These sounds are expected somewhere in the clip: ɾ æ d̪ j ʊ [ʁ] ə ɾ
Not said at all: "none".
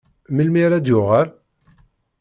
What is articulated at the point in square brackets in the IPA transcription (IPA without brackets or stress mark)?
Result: ʁ